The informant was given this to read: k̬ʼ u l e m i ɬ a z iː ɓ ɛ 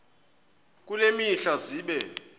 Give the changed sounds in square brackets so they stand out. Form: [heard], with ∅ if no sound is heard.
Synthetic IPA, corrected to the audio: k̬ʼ u l e m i ɬ a z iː ɓ ɛ